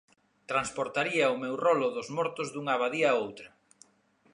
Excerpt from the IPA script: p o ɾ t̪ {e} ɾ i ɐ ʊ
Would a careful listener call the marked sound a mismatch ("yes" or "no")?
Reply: yes